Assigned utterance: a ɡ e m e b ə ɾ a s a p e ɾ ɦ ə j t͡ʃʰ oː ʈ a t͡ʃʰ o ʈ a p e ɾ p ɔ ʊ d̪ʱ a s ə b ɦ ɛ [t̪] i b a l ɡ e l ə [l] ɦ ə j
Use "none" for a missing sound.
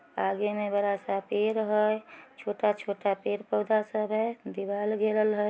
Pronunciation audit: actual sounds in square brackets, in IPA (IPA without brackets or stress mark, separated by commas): d̪, l